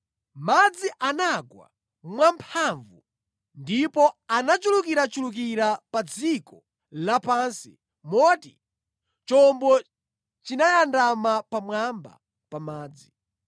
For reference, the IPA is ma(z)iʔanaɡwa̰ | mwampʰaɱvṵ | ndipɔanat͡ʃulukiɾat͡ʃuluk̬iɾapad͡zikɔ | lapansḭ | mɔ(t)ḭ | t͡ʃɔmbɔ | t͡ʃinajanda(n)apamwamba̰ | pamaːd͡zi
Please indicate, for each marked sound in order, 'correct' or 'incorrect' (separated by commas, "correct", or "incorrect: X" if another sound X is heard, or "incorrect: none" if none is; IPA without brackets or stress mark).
incorrect: d͡z, correct, incorrect: m